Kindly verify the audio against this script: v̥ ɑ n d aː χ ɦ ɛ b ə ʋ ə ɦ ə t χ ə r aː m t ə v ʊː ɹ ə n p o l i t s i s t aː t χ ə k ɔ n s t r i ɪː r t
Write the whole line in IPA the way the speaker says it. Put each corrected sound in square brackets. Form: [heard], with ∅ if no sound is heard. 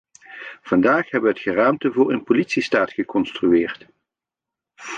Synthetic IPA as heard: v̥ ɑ n d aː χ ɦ ɛ b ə ʋ ə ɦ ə t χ ə r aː m t ə v ʊː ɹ ə n p o l i t s i s t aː t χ ə k ɔ n s t r [y] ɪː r t